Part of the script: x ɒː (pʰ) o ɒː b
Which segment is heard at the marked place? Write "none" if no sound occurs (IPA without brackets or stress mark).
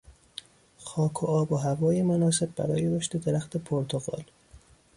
kʰ